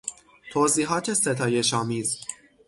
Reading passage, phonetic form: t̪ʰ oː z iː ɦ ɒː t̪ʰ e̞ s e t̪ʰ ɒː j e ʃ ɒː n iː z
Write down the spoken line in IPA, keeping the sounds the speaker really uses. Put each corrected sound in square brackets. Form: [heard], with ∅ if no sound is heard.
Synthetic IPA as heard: t̪ʰ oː z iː ɦ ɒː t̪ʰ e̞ s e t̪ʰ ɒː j e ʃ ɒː [m] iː z